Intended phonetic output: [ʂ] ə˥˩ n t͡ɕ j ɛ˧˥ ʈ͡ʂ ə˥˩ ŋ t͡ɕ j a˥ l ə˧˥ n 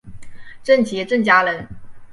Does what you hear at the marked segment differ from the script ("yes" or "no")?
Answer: yes